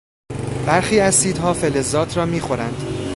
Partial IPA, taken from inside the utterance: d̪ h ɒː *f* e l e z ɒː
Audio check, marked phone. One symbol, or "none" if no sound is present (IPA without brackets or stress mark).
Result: f